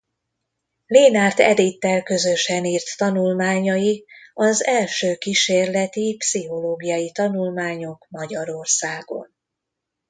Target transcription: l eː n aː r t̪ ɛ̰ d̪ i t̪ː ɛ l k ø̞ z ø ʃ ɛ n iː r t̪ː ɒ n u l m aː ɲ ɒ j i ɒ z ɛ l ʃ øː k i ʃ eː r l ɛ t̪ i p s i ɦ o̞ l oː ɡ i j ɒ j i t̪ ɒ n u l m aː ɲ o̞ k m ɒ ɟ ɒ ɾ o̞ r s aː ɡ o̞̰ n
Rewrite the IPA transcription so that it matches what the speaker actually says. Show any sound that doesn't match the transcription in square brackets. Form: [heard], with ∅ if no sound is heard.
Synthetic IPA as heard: l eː n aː r t̪ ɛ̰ d̪ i t̪ː ɛ l k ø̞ z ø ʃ ɛ n iː r t̪ː ɒ n u l m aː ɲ ɒ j i ɒ z ɛ l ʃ øː k i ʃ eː r l ɛ t̪ i p s i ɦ o̞ l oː ɡ i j ɒ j i t̪ ɒ n u l m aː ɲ o̞ k m ɒ ɟ ɒ ɾ o̞ r s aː ɡ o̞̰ n